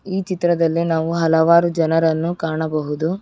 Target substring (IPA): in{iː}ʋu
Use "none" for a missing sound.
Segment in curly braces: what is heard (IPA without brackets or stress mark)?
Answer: aː